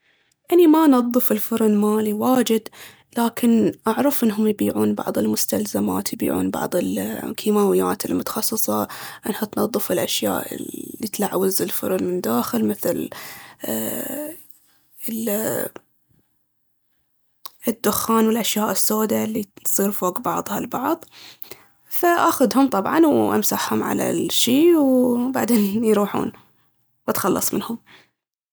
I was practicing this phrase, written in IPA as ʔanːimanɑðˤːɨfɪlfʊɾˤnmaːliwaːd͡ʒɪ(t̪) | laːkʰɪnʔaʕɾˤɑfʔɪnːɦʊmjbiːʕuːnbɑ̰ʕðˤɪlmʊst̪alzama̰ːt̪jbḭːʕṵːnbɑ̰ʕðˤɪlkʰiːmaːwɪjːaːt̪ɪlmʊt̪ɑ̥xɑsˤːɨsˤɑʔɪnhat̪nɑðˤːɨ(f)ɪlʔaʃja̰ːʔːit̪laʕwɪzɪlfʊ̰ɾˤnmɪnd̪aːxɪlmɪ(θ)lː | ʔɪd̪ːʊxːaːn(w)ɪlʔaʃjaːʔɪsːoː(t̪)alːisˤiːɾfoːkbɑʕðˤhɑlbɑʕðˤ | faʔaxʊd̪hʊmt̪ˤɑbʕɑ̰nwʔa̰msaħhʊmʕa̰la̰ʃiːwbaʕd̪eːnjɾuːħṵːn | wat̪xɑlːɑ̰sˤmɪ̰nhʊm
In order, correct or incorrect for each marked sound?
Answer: incorrect, correct, correct, correct, incorrect

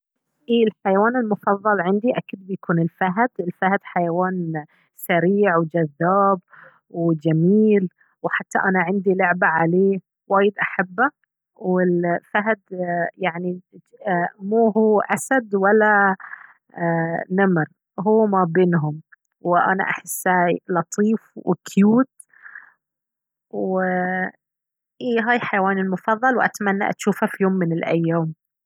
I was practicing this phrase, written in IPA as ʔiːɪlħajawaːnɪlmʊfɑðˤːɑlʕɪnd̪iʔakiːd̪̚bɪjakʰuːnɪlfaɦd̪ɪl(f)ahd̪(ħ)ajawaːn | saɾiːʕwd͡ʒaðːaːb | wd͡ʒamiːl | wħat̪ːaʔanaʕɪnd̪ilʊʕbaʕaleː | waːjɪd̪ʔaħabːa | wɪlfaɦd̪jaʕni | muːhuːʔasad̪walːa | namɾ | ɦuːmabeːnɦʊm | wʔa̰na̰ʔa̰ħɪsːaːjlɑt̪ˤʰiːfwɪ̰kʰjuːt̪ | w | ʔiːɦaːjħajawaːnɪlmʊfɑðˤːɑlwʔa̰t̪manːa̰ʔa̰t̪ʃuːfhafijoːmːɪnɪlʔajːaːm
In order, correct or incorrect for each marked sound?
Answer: correct, correct

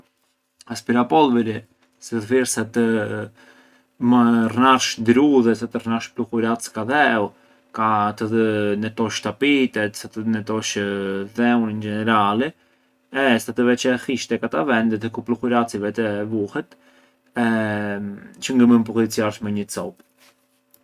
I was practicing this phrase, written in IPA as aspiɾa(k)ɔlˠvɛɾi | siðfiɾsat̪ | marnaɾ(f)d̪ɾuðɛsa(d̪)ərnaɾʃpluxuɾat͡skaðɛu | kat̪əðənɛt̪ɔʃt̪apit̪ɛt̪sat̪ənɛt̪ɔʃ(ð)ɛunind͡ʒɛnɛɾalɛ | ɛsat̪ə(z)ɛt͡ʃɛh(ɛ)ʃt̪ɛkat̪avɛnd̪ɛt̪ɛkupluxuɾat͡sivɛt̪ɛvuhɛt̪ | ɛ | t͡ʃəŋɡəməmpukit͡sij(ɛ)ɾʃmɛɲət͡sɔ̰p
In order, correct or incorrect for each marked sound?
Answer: incorrect, incorrect, incorrect, correct, incorrect, incorrect, incorrect

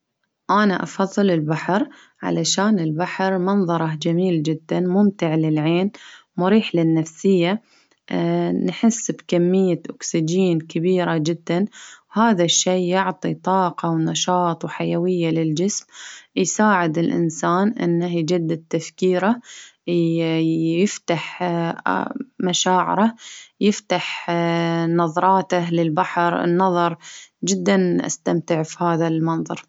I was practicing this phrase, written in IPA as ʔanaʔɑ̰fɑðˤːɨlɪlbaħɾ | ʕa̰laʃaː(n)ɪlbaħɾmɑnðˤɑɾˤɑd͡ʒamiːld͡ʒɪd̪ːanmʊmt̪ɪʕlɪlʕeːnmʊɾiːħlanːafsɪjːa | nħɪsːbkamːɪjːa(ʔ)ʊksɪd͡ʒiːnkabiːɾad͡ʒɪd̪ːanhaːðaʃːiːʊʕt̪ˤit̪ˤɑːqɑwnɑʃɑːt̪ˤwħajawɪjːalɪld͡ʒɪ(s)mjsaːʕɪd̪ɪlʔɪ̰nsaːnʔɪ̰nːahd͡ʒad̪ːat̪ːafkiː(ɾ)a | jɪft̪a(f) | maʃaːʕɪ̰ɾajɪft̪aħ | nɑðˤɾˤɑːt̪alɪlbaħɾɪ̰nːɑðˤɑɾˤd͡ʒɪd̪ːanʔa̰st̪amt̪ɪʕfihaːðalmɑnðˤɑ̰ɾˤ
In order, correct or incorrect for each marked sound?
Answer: correct, correct, correct, correct, incorrect

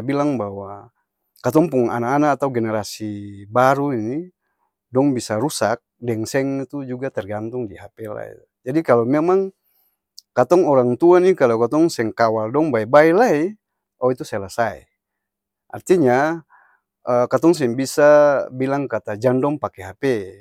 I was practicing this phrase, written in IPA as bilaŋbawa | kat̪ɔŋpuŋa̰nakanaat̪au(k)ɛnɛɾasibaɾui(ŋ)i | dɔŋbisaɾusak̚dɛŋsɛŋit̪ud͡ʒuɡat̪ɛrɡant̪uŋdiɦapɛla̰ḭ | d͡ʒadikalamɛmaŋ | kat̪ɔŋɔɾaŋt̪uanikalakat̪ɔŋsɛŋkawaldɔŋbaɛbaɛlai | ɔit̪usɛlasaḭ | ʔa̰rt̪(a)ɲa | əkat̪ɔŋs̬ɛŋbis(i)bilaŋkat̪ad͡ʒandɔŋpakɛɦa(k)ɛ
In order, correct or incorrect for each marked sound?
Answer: incorrect, incorrect, incorrect, incorrect, incorrect

